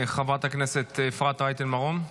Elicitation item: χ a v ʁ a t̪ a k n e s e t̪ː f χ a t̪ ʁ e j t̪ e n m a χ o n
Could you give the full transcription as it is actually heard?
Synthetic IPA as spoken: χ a v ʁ a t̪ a k n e s e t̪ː f ʁ a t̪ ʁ a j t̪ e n m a ʁ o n